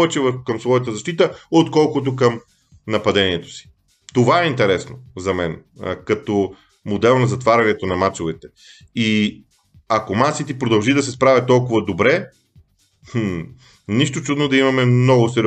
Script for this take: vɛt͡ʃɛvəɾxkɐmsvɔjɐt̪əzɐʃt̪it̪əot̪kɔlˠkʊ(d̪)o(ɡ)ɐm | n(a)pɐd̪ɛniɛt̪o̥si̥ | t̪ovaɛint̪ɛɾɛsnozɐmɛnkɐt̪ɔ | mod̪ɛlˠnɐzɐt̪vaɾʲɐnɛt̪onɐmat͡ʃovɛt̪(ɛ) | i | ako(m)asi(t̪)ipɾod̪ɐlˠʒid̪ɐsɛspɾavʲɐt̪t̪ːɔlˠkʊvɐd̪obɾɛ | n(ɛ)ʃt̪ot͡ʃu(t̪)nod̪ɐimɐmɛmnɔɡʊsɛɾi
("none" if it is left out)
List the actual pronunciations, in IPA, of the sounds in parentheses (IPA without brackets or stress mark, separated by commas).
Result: t̪, k, ɐ, ɛ, m, t̪, i, d̪